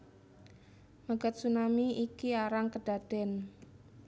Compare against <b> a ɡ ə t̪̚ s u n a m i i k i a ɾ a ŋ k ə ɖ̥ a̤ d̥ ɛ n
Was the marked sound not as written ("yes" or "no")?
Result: yes